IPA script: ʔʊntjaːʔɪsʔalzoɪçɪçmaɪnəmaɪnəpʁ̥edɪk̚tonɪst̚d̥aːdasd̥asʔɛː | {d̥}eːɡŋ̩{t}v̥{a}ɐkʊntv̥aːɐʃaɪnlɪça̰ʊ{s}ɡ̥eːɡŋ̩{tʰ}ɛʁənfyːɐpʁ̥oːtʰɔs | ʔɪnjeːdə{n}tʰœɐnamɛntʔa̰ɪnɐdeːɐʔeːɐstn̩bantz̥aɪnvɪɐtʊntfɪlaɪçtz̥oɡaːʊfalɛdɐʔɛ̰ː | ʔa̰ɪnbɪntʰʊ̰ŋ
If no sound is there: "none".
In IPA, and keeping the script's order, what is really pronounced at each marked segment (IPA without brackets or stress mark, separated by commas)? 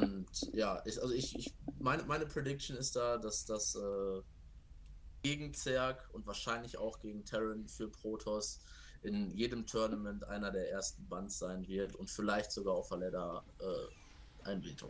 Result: ɡ̥, t͡s, ɛ, x, tʰ, m